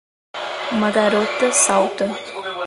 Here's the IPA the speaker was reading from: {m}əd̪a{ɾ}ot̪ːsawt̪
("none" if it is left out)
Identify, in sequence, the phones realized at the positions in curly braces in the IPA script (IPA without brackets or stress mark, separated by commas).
m, ɾ